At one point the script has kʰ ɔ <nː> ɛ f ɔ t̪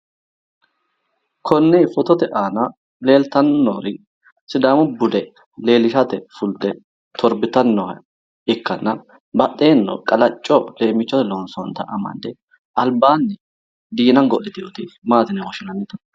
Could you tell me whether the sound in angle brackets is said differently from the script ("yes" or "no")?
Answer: no